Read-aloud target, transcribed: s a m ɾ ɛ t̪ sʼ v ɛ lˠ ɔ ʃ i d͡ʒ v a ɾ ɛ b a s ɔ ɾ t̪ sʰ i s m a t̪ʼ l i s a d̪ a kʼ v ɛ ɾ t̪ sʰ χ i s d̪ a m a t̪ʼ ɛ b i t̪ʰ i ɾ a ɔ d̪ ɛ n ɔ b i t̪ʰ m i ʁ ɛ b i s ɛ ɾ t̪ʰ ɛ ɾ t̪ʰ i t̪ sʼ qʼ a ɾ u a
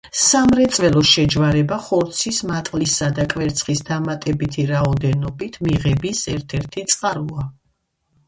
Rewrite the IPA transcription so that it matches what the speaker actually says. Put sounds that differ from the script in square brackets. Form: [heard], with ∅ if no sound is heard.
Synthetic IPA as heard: s a m ɾ ɛ t̪ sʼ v ɛ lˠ ɔ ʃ [ɛ] d͡ʒ v a ɾ ɛ b a [χ] ɔ ɾ t̪ sʰ i s m a t̪ʼ l i s a d̪ a kʼ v ɛ ɾ t̪ sʰ χ i s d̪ a m a t̪ʼ ɛ b i t̪ʰ i ɾ a ɔ d̪ ɛ n ɔ b i t̪ʰ m i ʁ ɛ b i s ɛ ɾ t̪ʰ ɛ ɾ t̪ʰ i t̪ sʼ qʼ a ɾ u a